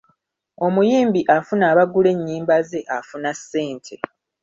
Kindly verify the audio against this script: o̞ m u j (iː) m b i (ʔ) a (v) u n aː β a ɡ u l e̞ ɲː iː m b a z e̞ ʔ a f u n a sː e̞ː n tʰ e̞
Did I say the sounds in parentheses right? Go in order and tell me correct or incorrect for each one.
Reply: correct, correct, incorrect

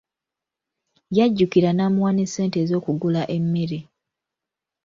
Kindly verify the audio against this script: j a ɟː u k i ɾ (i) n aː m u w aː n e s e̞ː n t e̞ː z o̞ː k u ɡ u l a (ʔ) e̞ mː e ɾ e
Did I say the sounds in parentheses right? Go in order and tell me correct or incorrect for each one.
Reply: incorrect, correct

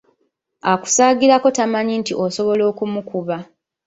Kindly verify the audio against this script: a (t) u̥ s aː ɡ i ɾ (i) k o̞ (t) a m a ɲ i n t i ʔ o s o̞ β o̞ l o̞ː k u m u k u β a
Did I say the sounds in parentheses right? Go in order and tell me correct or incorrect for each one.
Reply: incorrect, incorrect, correct

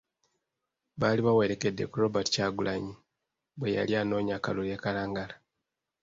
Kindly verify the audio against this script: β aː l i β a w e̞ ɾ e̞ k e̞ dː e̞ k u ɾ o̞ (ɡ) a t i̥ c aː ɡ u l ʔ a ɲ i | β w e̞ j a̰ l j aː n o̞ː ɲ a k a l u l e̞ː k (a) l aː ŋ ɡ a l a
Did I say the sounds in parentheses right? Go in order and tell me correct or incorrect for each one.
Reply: incorrect, correct

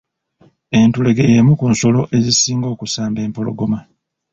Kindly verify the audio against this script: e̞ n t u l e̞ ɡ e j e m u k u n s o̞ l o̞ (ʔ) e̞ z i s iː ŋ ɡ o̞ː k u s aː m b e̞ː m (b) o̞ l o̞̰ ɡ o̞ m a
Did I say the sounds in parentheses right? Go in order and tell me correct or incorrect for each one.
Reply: correct, incorrect

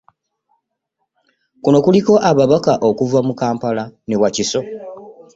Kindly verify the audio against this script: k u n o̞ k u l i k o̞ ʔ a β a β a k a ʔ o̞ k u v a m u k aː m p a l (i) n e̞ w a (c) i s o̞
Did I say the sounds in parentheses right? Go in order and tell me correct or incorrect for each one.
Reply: incorrect, correct

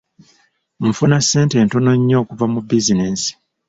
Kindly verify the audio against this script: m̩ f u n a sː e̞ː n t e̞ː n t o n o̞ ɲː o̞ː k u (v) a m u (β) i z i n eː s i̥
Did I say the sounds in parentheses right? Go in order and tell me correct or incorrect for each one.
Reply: correct, incorrect

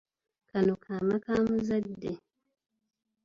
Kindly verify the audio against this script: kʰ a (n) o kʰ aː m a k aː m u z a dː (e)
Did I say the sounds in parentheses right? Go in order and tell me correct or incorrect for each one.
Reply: correct, correct

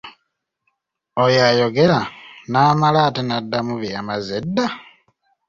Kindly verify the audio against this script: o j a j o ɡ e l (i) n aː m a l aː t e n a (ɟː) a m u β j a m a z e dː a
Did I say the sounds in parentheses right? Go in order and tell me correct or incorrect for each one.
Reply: incorrect, incorrect

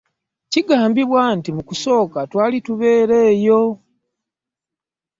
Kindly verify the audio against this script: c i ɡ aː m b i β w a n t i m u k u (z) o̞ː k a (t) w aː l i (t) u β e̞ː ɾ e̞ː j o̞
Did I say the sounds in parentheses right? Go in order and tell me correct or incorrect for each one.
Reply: incorrect, correct, correct

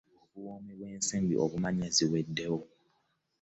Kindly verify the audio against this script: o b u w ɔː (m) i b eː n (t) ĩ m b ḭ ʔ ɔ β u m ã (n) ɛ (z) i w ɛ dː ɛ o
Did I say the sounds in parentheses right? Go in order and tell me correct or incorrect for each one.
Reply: correct, incorrect, incorrect, correct

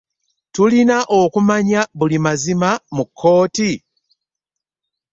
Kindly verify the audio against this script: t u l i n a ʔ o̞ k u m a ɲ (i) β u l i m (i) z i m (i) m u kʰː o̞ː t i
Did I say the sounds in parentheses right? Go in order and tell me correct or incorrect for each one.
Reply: incorrect, incorrect, incorrect

